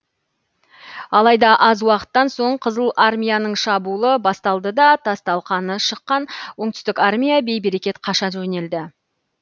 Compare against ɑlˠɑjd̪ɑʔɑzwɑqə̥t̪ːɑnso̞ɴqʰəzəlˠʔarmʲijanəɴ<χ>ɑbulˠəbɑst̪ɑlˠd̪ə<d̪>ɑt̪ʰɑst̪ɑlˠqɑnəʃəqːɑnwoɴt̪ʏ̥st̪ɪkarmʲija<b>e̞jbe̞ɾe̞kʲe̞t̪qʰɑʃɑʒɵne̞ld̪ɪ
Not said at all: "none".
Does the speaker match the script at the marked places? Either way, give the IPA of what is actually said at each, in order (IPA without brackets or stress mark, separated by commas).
ʃ, d̪, b